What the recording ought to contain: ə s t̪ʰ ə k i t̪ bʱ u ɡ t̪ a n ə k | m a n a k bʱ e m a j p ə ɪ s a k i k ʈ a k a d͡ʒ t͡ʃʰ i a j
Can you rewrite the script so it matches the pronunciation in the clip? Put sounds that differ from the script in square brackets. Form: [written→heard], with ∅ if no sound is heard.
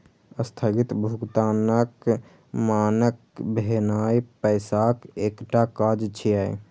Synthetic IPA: ə s t̪ʰ ə [k→ɡ] i t̪ bʱ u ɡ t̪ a n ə k | m a n [a→ə] k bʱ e [m→n] a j p ə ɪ s a k [i→e] k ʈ a k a d͡ʒ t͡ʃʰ i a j